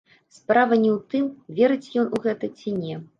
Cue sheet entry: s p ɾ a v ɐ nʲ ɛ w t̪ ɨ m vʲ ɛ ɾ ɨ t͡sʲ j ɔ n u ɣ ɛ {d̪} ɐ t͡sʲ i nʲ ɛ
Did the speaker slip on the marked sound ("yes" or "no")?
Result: yes